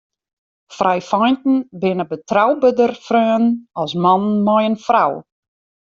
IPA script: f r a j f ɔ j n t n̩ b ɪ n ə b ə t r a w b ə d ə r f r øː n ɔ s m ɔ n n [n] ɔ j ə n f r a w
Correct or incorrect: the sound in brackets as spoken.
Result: incorrect: m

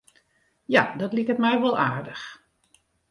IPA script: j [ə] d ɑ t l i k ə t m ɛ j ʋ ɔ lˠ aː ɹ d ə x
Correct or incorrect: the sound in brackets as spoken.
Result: incorrect: a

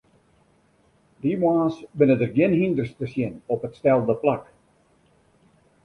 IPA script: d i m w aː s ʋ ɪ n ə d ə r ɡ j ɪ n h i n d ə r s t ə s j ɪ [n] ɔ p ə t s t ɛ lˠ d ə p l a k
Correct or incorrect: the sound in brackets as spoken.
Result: correct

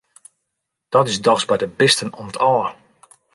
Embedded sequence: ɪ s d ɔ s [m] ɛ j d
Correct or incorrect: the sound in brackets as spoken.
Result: incorrect: b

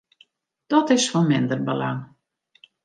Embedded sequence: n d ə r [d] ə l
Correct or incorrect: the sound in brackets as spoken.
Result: incorrect: b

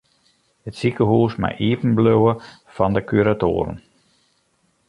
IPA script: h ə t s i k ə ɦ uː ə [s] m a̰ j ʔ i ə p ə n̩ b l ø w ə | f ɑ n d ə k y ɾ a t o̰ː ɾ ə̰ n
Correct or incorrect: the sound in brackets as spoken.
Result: correct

